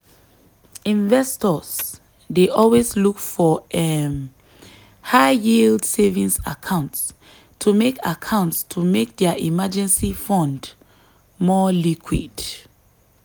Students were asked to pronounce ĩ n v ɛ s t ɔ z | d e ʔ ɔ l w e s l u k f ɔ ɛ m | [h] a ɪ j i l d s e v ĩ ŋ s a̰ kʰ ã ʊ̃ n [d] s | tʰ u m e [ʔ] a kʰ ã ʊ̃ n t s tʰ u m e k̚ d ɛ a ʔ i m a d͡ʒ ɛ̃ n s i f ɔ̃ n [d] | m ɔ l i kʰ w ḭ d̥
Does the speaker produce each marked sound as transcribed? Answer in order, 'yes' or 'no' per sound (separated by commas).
yes, no, no, yes